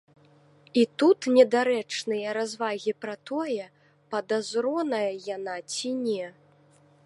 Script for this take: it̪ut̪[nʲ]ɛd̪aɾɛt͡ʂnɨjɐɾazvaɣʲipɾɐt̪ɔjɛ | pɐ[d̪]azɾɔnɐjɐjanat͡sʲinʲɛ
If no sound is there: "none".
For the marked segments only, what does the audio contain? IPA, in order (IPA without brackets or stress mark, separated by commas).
nʲ, d̪